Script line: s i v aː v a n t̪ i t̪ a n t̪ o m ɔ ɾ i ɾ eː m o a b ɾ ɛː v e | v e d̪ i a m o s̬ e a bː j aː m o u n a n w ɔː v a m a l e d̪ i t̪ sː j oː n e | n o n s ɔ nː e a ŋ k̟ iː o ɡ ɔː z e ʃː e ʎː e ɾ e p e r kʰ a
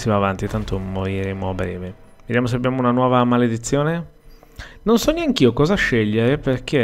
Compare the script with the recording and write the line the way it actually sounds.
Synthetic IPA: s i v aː v a n t̪ i t̪ a n t̪ o m o ɾ i ɾ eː m o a b ɾ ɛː v e | v e d̪ j a m o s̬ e a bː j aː m o u n a n w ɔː v a m a l e d̪ i t̪ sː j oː n e | n o n s ɔ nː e a ŋ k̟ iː o k ɔː z a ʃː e ʎː e ɾ e p e r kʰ e